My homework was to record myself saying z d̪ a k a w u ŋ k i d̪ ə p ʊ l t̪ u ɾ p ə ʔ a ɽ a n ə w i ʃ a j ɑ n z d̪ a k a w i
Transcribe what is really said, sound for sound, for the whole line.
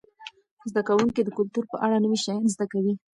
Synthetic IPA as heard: z d̪ a k a w u ŋ k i d̪ ə k ʊ l t̪ u ɾ p ə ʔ a ɽ a n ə w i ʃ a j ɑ n z d̪ a k a w i